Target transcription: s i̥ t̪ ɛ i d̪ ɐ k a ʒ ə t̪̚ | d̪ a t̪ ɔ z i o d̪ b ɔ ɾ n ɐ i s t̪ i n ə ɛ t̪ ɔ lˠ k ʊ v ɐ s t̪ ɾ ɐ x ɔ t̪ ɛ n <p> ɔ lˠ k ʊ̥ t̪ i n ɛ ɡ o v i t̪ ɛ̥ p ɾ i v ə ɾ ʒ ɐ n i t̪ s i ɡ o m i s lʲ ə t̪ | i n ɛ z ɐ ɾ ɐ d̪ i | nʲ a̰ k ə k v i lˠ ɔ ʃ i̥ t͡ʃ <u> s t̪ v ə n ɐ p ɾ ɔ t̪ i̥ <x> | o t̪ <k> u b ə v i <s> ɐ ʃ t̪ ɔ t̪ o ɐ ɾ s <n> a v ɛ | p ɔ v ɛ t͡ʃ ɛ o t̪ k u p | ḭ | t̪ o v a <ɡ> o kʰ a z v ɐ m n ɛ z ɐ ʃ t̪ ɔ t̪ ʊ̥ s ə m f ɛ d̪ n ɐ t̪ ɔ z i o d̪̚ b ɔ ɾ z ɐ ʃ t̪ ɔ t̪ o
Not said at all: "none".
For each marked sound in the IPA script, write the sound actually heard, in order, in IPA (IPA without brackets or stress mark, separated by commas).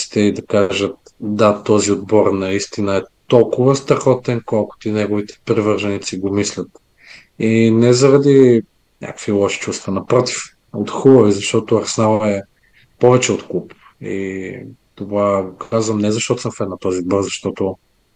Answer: k, u, f, x, z, n, ɡ